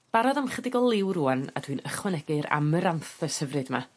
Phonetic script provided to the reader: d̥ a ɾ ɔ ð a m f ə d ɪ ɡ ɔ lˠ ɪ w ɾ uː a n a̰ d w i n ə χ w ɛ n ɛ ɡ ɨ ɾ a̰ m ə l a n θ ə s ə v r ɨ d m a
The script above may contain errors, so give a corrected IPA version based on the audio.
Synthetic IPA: b̥ a ɾ ɔ ð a m χ ə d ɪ ɡ ɔ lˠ ɪ w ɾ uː a n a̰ d w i n ə χ w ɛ n ɛ ɡ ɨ ɾ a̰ m ə ɾ a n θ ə s ə v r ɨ d m a